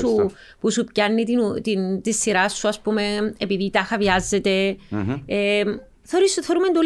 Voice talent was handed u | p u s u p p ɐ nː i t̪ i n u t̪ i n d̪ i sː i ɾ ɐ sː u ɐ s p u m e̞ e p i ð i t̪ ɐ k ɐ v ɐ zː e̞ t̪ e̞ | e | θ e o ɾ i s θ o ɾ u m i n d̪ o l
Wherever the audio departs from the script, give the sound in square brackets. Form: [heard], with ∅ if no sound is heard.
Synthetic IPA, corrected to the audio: u | p u s u p [c] ɐ nː i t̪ i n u t̪ i n [t̪] i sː i ɾ ɐ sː u ɐ s p u m e̞ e p i ð i t̪ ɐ [x] ɐ v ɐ zː e̞ t̪ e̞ | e | θ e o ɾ i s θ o ɾ u m [e] n d̪ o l